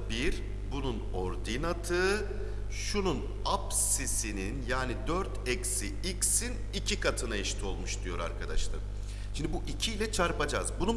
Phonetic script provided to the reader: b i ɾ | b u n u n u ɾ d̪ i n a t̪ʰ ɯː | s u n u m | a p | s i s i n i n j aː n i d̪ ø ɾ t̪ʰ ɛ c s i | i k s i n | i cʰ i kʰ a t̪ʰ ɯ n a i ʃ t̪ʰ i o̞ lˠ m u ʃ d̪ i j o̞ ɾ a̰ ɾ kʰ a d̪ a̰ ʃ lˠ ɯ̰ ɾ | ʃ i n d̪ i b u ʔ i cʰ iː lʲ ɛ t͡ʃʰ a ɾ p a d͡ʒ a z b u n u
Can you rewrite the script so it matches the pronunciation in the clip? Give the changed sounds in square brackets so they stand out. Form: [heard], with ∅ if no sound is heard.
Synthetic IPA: b i ɾ | b u n u n [o] ɾ d̪ i n a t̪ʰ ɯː | [ʃ] u n u [n] | a p | s i s i n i n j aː n i d̪ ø ɾ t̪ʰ ɛ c s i | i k s i n | i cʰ i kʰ a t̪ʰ ɯ n a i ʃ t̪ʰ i o̞ lˠ m u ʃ d̪ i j o̞ ɾ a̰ ɾ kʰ a d̪ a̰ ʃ lˠ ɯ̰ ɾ | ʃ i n d̪ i b u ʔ i cʰ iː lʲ ɛ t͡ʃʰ a ɾ p a d͡ʒ a z b u n u